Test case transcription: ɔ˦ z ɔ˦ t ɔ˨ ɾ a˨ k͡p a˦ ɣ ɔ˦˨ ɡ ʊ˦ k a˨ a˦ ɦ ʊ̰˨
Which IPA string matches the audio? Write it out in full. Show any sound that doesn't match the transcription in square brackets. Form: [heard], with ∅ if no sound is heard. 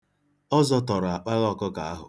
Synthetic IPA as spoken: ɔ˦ z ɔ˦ t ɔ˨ ɾ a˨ k͡p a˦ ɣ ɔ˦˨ [k] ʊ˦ k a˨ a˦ ɦ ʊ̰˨